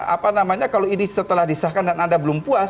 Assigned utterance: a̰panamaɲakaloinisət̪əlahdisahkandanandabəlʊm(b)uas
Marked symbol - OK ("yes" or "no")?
no